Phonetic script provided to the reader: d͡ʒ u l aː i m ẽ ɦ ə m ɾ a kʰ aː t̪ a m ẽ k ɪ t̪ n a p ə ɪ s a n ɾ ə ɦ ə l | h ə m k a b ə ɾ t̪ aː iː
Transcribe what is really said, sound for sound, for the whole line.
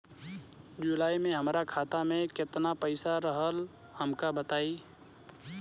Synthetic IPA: d͡ʒ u l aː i m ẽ ɦ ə m ɾ a kʰ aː t̪ a m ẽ k ɪ t̪ n a p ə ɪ s a ɾ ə ɦ ə l | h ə m k a b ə t̪ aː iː